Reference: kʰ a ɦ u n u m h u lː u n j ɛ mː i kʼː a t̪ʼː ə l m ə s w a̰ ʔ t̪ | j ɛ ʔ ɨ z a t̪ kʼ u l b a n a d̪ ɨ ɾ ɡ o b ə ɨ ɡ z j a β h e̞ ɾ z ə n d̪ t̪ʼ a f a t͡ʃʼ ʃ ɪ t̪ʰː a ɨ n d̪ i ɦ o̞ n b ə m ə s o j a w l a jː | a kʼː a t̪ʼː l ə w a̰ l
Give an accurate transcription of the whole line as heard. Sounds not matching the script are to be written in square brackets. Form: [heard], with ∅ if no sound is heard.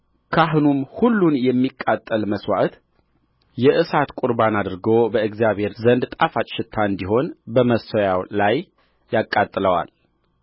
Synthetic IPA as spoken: kʰ a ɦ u n u m h u lː u n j ɛ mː i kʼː a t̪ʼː ə l m ə s w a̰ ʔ t̪ | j ɛ ʔ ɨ [s] a t̪ kʼ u [ɾ] b a n a d̪ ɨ ɾ ɡ o b ə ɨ ɡ z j a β h e̞ ɾ z ə n d̪ t̪ʼ a f a t͡ʃʼ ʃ ɪ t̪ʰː a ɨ n d̪ i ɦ o̞ n b ə m ə s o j a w l a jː | a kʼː a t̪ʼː l ə w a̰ l